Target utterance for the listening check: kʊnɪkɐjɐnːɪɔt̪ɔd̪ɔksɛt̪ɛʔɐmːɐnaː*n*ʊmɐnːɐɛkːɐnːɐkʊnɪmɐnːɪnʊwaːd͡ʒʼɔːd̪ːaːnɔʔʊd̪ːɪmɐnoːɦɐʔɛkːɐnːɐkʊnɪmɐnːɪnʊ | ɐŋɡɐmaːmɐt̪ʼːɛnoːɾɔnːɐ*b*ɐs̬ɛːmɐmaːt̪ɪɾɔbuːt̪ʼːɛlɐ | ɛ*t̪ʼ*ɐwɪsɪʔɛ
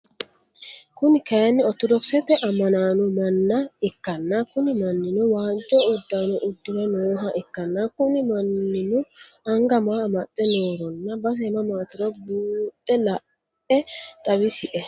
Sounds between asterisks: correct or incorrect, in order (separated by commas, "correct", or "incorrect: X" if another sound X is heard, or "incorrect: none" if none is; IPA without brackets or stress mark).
correct, correct, correct